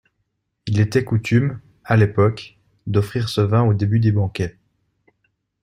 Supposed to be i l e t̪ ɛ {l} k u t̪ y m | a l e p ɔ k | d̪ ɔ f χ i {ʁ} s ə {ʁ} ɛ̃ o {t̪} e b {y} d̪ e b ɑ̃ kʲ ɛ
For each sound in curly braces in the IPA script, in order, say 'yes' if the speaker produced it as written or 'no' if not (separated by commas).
no, yes, no, no, yes